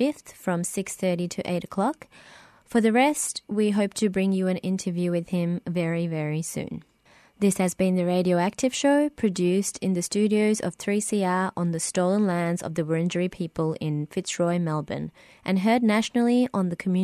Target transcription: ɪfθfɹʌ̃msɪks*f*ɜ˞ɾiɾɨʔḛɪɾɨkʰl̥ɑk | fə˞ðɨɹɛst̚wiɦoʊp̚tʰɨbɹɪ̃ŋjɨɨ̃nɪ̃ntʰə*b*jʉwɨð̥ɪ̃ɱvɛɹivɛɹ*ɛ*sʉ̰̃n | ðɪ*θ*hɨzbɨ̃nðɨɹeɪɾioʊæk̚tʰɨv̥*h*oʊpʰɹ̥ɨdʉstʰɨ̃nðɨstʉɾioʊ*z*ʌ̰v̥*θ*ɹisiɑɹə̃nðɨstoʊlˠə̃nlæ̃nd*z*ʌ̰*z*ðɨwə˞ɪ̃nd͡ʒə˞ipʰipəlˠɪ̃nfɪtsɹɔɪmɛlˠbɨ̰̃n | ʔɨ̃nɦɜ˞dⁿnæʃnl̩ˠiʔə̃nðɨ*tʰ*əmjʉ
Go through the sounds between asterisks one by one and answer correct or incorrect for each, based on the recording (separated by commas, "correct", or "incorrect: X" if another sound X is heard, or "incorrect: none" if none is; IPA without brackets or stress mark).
incorrect: θ, incorrect: v, incorrect: i, incorrect: s, incorrect: ʃ, correct, correct, correct, incorrect: v, incorrect: kʰ